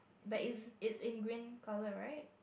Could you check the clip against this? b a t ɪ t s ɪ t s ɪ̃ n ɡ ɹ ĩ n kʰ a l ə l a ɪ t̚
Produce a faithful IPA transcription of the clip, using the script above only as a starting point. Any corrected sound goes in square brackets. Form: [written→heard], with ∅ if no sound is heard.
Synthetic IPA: b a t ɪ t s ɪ t s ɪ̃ n ɡ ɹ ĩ n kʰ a l ə [l→ɹ] a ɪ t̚